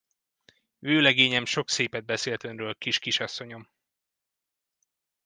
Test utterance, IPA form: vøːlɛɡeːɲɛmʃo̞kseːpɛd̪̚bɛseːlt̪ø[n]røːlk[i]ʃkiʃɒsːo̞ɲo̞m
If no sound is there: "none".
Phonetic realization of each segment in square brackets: n, i

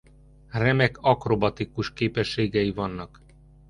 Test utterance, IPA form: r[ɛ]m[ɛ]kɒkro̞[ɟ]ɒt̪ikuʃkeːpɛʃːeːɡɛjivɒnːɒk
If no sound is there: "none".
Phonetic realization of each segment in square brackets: ɛ, ɛ, b

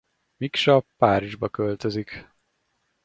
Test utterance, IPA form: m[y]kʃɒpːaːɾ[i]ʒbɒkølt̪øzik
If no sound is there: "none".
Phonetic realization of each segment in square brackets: i, i

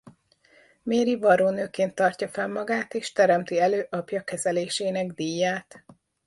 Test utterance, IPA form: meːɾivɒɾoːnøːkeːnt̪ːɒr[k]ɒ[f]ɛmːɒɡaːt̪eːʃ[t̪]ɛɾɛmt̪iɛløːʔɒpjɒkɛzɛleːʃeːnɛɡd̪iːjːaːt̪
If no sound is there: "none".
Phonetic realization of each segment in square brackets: c, f, t̪

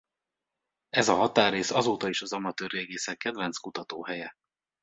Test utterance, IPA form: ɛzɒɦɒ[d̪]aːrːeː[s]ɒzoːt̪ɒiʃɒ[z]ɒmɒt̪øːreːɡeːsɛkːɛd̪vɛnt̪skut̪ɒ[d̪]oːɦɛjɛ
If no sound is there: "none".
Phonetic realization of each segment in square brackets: t̪, s, z, t̪

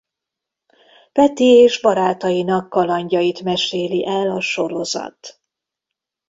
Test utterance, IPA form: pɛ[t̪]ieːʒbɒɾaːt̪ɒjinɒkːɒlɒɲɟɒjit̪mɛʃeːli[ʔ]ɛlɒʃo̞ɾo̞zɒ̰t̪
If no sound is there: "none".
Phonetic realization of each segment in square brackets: t̪, ʔ

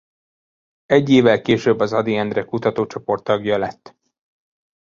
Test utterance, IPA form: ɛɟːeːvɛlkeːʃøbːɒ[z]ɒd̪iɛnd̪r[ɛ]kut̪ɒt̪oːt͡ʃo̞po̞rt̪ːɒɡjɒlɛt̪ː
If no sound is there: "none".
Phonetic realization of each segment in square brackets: z, ɛ

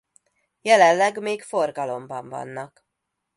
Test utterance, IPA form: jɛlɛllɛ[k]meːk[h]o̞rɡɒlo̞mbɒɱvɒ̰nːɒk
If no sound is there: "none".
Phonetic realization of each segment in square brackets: ɡ, f

